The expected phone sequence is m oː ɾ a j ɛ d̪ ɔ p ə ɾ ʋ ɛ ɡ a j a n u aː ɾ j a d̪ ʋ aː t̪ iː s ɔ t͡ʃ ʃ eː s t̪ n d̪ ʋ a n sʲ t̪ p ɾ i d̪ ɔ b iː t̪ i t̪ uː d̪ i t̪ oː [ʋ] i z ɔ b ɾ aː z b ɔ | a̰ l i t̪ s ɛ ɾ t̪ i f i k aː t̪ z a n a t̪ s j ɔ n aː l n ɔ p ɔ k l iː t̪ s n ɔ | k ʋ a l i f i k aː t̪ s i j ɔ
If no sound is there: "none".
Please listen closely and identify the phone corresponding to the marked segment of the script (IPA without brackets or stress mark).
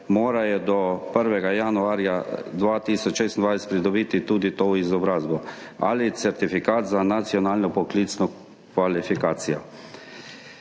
none